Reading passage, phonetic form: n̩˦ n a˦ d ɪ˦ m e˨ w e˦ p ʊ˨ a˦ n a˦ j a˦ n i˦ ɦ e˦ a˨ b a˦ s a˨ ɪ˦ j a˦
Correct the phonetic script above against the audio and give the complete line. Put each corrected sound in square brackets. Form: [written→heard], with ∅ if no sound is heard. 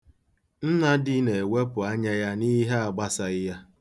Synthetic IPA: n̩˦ n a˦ d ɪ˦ [m→n] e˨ w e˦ p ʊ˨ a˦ [n→ɲ] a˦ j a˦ n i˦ ɦ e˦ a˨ [b→ɡ͡b] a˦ s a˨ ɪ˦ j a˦